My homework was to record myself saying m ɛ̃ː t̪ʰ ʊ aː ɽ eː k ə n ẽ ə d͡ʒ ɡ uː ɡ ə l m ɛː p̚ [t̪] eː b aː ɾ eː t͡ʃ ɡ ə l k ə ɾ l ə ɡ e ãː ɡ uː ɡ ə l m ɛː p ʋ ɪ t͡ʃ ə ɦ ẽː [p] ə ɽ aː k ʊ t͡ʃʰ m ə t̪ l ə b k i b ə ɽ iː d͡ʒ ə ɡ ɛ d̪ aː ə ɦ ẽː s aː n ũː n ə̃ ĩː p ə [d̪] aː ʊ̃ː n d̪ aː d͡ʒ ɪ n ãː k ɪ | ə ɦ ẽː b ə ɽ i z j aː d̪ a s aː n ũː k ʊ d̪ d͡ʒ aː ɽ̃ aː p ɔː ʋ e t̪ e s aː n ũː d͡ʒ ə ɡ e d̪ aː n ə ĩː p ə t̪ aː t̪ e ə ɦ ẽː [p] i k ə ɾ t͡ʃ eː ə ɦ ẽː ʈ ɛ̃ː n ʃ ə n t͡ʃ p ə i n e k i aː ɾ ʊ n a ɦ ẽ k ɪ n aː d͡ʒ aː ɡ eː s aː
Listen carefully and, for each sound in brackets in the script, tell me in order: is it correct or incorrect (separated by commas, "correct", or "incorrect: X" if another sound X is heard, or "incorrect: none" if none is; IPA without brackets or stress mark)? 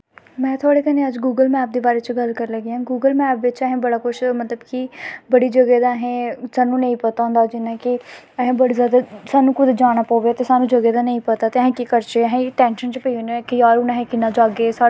incorrect: d̪, incorrect: b, incorrect: t̪, incorrect: k